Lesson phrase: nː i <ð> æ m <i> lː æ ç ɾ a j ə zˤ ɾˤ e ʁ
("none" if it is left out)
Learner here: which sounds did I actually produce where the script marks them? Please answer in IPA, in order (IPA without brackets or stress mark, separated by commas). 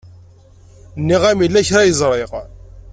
ʁ, i